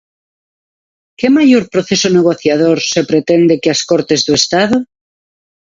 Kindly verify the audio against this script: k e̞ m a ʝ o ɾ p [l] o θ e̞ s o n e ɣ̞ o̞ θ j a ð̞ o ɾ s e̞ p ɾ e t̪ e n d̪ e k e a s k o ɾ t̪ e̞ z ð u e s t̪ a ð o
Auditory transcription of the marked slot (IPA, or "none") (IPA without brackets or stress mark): ɾ